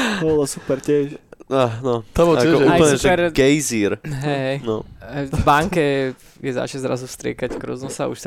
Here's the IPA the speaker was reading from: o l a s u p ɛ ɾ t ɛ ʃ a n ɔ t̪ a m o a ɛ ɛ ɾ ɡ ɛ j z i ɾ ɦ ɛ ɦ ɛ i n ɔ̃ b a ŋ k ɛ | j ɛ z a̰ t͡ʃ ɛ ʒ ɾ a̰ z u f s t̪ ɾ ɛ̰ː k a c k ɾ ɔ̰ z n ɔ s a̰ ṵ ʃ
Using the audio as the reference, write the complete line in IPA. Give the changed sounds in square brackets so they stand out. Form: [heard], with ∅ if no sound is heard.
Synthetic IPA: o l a s u p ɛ ɾ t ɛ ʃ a n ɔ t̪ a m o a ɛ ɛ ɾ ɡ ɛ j z i ɾ ɦ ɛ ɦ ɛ [j] n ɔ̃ b a ŋ k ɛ | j ɛ z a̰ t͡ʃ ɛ [z] ɾ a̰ z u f s t̪ ɾ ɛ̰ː k a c k ɾ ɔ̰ z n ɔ s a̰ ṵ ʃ